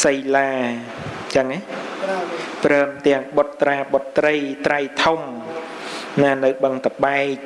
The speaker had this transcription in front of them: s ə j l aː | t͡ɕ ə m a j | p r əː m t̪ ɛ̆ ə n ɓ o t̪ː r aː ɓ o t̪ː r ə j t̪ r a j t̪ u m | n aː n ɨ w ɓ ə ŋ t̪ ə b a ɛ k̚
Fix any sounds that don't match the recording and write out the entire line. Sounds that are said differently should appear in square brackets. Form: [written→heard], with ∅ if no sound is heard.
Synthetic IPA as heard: s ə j l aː | t͡ɕ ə [m→ŋ] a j | p r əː m t̪ ɛ̆ ə [n→ŋ] ɓ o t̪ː r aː ɓ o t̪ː r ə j t̪ r a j [t̪→t̪ʰ] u m | n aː n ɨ w ɓ ə ŋ t̪ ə [b→ɓ] a ɛ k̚